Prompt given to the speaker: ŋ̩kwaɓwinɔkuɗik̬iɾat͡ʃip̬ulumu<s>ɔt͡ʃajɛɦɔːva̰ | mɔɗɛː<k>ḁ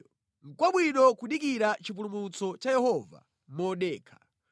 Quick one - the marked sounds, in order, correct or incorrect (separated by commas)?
incorrect, incorrect